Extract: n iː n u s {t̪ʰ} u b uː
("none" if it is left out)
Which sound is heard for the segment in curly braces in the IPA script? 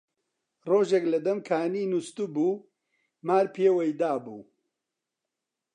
t̪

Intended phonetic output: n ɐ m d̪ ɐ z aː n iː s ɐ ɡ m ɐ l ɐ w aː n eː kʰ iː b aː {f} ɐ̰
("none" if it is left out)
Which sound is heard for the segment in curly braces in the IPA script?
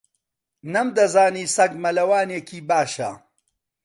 ʃ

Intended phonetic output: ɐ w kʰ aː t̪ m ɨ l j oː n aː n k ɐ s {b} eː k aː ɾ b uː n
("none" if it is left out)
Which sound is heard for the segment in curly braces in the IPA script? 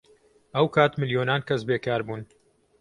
b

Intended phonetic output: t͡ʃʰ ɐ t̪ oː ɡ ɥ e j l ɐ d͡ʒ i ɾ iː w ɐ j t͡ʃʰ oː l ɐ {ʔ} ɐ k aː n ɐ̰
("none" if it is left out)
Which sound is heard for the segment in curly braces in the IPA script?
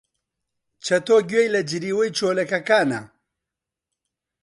k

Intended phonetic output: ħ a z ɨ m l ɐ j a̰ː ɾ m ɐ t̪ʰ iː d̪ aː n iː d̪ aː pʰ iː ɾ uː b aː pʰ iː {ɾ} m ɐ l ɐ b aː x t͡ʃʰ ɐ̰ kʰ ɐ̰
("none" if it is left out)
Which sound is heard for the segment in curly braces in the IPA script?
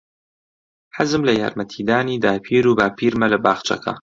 ɾ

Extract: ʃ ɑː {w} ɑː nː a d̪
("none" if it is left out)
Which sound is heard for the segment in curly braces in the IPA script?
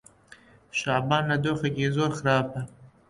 b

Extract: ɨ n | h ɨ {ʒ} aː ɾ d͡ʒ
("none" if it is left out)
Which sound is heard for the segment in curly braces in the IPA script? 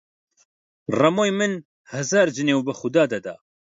z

